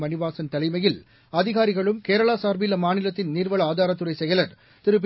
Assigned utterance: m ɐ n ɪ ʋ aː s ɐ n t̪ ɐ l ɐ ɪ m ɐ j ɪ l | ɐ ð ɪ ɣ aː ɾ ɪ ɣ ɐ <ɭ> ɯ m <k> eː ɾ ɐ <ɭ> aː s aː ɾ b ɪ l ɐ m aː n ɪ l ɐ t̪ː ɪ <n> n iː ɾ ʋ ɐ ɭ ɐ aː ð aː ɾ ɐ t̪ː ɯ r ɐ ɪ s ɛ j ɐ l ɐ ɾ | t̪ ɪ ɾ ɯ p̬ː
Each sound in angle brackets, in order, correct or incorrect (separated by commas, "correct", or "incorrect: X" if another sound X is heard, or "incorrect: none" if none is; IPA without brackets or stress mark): correct, correct, correct, correct